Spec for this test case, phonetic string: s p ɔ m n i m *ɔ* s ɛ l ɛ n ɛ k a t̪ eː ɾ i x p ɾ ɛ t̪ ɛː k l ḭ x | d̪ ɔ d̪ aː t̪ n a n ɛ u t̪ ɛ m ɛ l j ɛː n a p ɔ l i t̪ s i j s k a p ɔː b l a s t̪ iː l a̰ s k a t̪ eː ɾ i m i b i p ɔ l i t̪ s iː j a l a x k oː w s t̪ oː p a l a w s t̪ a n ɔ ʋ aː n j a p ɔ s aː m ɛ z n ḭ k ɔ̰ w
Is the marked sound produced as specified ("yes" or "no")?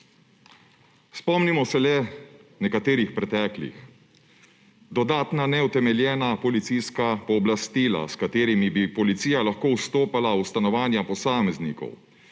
yes